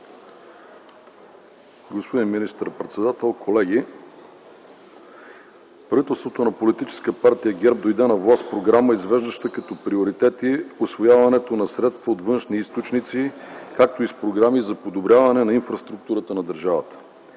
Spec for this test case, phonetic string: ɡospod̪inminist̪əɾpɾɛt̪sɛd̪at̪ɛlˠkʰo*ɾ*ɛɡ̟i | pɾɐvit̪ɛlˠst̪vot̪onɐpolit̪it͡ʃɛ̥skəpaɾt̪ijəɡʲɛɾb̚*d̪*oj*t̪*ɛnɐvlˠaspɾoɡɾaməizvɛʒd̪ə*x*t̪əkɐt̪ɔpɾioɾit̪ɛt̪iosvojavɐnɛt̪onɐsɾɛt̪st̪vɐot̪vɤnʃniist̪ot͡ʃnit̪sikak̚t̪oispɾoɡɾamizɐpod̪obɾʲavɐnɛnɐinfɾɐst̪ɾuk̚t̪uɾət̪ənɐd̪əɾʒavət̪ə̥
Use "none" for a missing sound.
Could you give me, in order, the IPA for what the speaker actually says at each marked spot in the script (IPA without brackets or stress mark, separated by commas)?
l, d̪, d̪, ʃ